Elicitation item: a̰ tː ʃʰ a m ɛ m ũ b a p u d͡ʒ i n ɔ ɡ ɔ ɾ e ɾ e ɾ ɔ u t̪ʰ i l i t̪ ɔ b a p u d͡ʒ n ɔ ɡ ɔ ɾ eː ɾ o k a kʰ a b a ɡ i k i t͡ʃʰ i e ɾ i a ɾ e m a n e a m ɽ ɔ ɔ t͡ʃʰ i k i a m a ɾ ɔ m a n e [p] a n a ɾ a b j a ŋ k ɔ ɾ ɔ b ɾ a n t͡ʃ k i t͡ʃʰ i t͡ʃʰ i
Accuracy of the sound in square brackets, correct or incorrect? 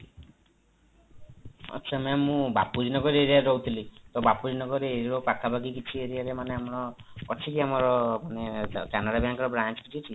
incorrect: k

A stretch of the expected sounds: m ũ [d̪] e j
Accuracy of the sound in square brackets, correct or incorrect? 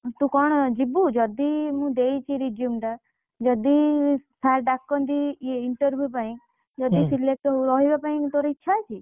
correct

